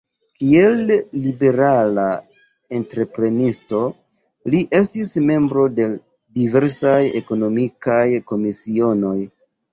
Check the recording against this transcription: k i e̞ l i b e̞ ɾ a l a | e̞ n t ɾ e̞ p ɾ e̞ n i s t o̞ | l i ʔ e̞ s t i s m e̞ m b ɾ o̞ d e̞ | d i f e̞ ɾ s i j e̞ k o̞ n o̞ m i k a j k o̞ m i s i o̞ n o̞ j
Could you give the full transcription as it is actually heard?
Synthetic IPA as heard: k i e̞ lː i b e̞ ɾ a l a | e̞ n t ɾ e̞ p ɾ e̞ n i s t o̞ | l i ʔ e̞ s t i s m e̞ m b ɾ o̞ d e̞ | d i v e̞ ɾ s a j e̞ k o̞ n o̞ m i k a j k o̞ m i s i o̞ n o̞ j